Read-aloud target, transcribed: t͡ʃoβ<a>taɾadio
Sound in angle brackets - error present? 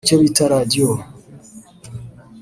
yes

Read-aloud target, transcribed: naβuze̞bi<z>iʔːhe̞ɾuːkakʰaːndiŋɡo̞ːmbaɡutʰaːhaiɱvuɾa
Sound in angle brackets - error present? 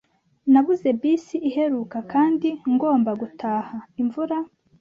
yes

